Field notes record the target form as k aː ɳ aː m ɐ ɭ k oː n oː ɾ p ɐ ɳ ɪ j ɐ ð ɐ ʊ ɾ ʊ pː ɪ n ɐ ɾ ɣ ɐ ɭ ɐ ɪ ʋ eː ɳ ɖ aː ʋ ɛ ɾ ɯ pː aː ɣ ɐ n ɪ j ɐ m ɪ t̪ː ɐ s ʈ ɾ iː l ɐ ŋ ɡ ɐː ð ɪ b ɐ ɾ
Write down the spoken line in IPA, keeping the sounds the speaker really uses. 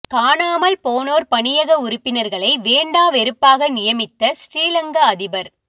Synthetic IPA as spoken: k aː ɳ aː m ɐ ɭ p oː n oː ɾ p ɐ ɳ ɪ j ɐ ɣ ɐ ʊ ɾ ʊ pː ɪ n ɐ ɾ ɣ ɐ ɭ ɐ ɪ ʋ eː ɳ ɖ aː ʋ ɛ ɾ ɯ pː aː ɣ ɐ n ɪ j ɐ m ɪ t̪ː ɐ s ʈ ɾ iː l ɐ ŋ ɡ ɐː ð ɪ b ɐ ɾ